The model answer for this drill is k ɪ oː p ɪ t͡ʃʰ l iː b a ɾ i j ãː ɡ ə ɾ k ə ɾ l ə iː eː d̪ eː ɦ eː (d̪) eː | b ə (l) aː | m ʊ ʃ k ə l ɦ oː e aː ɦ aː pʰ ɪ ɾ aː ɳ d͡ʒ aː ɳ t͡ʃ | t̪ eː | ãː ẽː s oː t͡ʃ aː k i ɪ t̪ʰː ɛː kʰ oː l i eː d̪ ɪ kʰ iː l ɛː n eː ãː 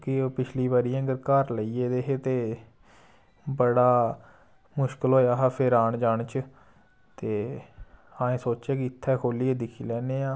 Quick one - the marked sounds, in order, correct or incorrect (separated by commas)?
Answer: incorrect, incorrect